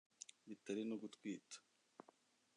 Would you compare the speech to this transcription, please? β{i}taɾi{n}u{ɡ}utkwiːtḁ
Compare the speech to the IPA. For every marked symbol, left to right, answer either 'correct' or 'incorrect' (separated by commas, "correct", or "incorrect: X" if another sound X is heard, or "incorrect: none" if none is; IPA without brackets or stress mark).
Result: correct, correct, correct